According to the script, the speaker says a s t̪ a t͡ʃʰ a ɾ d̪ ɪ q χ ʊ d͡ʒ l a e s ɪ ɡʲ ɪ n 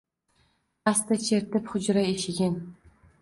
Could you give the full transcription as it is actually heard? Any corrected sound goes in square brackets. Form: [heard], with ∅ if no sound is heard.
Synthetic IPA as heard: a s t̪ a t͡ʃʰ [e] ɾ [t̪] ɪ [p] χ ʊ d͡ʒ [ɾ] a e [ʃ] ɪ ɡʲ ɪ n

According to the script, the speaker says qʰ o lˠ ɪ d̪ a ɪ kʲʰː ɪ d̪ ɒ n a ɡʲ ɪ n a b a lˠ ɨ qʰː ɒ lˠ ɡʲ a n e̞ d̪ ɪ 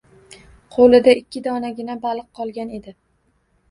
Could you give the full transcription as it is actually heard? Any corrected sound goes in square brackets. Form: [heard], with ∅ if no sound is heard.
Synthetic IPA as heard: qʰ o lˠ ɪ d̪ a ɪ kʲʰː ɪ d̪ ɒ n a ɡʲ ɪ n a b a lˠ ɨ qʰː ɒ lˠ ɡʲ a n e̞ d̪ ɪ

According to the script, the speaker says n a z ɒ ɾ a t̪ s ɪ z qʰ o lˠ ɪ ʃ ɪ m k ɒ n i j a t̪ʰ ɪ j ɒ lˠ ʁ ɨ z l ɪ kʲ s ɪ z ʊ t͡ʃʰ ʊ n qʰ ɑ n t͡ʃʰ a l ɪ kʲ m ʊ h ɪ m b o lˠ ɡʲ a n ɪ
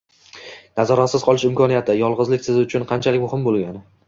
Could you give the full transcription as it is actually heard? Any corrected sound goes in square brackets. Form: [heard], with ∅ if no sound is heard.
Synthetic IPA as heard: n a z ɒ ɾ a t̪ s ɪ z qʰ [ɒ] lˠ ɪ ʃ ɪ m k ɒ n i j a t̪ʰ ɪ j ɒ lˠ ʁ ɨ z l ɪ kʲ s ɪ z ʊ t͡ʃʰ ʊ n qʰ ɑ n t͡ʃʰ a l ɪ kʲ m ʊ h ɪ m b o lˠ ɡʲ a n ɪ

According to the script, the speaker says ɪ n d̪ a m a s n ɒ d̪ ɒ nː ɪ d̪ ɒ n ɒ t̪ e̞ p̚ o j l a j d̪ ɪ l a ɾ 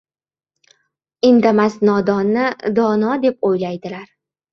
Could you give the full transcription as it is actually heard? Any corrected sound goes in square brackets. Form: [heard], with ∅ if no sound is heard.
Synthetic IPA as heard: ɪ n d̪ a m a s n ɒ d̪ ɒ nː ɪ d̪ ɒ n ɒ [d̪] e̞ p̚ o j l a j d̪ ɪ l a ɾ

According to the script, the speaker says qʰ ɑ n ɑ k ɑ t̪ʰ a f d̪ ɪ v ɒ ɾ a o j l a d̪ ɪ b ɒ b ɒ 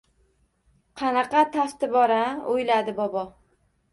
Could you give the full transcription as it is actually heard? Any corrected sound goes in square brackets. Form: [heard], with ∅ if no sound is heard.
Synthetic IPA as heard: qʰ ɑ n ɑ [q] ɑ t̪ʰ a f [t̪] ɪ [b] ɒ ɾ a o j l a d̪ ɪ b ɒ b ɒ

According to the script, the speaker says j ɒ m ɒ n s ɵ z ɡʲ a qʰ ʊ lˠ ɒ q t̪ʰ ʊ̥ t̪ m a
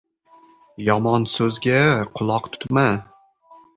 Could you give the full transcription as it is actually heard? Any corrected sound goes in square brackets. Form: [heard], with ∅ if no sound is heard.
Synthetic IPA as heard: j ɒ m ɒ n s ɵ z ɡʲ a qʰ ʊ lˠ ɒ q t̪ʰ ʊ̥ t̪ m a

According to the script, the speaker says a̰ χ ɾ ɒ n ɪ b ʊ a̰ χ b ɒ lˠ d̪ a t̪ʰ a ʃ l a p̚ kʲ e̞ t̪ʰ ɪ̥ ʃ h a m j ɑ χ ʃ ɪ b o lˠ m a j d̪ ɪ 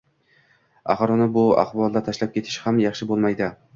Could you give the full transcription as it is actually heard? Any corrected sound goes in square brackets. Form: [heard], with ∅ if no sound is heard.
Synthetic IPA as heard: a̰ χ ɾ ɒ n ɪ b ʊ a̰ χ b ɒ lˠ d̪ a t̪ʰ a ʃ l a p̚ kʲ e̞ t̪ʰ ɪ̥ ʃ h a m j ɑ χ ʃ ɪ b o lˠ m a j d̪ ɪ

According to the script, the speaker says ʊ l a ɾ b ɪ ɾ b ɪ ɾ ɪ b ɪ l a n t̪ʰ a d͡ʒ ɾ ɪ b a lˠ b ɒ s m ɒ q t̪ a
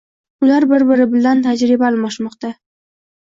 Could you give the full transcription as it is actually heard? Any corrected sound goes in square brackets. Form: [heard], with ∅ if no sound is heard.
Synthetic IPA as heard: ʊ l a ɾ b ɪ ɾ b ɪ ɾ ɪ b ɪ l a n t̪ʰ a d͡ʒ ɾ ɪ b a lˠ [m] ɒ [ʃ] m ɒ q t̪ a

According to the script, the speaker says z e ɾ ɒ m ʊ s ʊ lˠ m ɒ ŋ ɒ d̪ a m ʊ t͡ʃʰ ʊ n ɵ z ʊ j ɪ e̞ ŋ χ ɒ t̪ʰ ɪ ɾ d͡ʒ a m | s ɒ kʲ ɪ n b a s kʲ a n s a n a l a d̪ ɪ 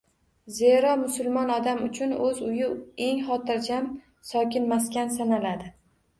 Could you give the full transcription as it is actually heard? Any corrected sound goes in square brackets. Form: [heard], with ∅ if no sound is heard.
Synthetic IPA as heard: z e ɾ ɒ m ʊ s ʊ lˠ m ɒ [n] ɒ d̪ a m ʊ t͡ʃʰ ʊ n ɵ z ʊ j ɪ e̞ ŋ χ ɒ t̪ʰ ɪ ɾ d͡ʒ a m | s ɒ kʲ ɪ n [m] a s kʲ a n s a n a l a d̪ ɪ

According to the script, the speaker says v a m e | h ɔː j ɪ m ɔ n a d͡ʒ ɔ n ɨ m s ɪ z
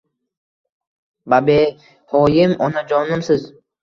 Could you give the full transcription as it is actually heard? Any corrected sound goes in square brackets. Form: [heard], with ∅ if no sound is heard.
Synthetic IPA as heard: [b] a [b] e | h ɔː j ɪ m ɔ n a d͡ʒ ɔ n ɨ m s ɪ z

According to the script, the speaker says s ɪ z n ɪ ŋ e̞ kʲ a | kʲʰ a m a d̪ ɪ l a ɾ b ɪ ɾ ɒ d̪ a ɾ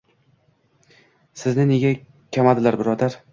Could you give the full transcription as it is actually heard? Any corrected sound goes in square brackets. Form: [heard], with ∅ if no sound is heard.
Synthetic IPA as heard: s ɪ z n ɪ [n] e̞ [ɡʲ] a | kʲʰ a m a d̪ ɪ l a ɾ b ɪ ɾ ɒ d̪ a ɾ

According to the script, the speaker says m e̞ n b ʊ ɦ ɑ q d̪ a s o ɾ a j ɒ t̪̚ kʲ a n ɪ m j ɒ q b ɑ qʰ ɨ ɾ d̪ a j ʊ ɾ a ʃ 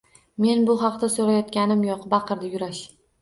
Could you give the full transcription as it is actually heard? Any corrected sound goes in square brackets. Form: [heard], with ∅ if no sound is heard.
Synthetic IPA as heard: m e̞ n b ʊ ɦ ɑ q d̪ a s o ɾ a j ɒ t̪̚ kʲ a n ɪ m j ɒ q b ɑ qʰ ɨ ɾ d̪ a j ʊ ɾ a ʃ

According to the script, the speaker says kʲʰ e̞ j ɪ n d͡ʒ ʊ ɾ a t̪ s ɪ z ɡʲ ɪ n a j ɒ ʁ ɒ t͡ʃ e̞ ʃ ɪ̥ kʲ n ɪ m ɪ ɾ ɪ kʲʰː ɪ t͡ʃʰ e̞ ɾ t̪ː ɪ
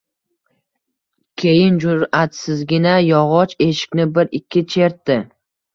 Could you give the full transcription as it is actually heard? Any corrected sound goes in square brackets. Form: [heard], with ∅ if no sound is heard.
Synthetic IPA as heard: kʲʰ e̞ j ɪ n d͡ʒ ʊ ɾ a t̪ s ɪ z ɡʲ ɪ n a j ɒ ʁ ɒ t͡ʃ e̞ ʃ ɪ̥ kʲ n ɪ [b] ɪ ɾ ɪ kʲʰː ɪ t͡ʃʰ e̞ ɾ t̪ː ɪ

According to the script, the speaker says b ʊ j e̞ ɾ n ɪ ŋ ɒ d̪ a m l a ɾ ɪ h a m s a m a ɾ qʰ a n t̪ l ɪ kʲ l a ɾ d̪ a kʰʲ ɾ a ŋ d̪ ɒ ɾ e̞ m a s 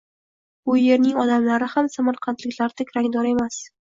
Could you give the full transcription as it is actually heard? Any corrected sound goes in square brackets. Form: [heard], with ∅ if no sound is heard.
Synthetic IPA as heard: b ʊ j e̞ ɾ n ɪ ŋ ɒ d̪ a m l a ɾ ɪ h a m s a m a ɾ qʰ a n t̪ l ɪ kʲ l a ɾ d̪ a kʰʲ ɾ a ŋ d̪ ɒ ɾ e̞ m a s

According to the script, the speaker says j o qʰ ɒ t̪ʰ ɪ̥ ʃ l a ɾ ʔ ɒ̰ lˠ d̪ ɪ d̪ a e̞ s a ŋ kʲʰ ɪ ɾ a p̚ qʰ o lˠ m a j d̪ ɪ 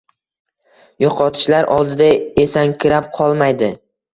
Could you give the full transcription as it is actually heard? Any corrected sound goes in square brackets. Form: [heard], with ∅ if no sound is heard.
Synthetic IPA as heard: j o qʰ ɒ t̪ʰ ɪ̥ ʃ l a ɾ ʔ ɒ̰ lˠ d̪ ɪ d̪ a e̞ s a ŋ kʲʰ ɪ ɾ a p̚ qʰ [ɒ] lˠ m a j d̪ ɪ

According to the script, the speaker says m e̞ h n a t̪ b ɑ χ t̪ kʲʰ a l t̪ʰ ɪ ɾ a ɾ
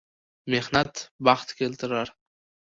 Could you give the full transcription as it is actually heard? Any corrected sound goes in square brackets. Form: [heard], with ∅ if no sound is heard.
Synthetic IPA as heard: m e̞ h n a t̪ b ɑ χ t̪ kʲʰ [e] l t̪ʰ ɪ ɾ a ɾ

